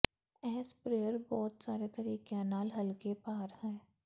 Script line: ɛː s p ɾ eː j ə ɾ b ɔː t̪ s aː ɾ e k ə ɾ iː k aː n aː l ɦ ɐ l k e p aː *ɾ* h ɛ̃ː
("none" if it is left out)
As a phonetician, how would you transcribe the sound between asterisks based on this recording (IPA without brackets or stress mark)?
ɾ